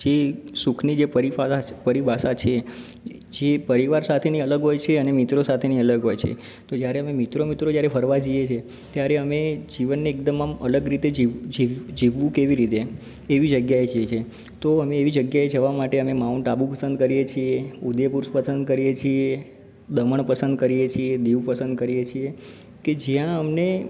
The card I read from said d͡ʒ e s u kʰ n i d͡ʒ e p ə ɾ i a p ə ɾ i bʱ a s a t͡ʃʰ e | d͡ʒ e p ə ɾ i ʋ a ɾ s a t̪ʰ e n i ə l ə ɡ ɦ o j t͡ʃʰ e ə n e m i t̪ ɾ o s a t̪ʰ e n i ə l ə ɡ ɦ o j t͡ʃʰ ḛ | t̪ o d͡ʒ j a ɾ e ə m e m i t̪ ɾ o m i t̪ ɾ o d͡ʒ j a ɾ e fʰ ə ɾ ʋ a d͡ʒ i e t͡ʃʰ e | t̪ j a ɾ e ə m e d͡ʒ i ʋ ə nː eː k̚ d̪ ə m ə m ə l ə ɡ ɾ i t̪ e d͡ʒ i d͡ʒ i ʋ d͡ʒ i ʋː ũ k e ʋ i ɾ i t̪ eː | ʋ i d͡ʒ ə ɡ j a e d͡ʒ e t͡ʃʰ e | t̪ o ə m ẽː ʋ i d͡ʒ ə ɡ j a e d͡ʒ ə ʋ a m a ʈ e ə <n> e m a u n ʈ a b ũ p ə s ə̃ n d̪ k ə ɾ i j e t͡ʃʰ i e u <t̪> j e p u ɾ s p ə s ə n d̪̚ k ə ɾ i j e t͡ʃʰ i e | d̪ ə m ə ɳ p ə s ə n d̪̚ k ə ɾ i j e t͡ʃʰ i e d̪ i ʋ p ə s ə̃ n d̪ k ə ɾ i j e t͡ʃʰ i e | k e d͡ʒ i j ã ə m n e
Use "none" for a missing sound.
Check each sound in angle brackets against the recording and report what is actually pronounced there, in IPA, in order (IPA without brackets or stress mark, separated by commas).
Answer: m, d̪